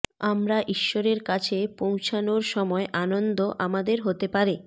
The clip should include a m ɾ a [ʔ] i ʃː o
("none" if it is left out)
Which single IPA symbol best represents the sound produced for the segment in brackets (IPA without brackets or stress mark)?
ʔ